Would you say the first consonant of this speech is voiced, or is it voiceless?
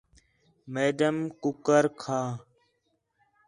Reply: voiced